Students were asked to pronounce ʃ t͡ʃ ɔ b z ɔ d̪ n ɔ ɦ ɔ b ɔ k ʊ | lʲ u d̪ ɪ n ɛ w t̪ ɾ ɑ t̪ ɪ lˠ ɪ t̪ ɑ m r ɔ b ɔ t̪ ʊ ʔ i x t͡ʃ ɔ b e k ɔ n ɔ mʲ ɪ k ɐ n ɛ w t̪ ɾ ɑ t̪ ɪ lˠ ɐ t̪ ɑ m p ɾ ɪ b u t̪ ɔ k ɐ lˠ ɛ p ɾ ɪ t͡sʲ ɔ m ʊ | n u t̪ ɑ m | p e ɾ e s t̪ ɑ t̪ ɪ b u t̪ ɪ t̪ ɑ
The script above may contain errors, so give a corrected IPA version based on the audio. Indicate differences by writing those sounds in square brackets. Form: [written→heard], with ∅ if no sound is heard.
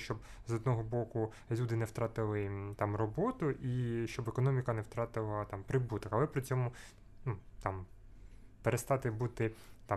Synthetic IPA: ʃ t͡ʃ ɔ b z ɔ d̪ n ɔ ɦ ɔ b ɔ k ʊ | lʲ u d̪ ɪ n ɛ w t̪ ɾ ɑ t̪ ɪ lˠ ɪ t̪ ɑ m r ɔ b ɔ t̪ ʊ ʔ i [x→ʃ] t͡ʃ ɔ b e k ɔ n ɔ mʲ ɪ k ɐ n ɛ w t̪ ɾ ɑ t̪ ɪ lˠ ɐ t̪ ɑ m p ɾ ɪ b u t̪ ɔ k ɐ lˠ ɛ p ɾ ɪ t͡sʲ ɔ m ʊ | n u t̪ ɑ m | p e ɾ e s t̪ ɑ t̪ ɪ b u t̪ ɪ t̪ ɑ